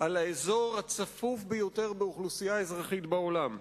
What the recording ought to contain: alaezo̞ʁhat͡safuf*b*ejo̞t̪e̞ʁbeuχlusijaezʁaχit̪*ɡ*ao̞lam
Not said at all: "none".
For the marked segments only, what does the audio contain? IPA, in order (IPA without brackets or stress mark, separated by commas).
b, b